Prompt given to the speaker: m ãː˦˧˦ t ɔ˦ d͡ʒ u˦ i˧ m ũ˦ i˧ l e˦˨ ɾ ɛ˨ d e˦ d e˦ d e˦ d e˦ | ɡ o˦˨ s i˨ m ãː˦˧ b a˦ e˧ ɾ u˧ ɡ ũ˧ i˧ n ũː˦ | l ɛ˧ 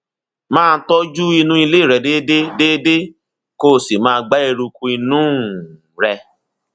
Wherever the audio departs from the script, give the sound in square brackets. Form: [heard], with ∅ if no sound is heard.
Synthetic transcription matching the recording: m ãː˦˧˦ t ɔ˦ d͡ʒ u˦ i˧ [n] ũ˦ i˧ l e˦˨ ɾ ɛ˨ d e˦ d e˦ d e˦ d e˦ | [k] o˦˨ s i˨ m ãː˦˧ [ɡ͡b] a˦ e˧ ɾ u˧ [k] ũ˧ i˧ n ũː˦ | [ɾ] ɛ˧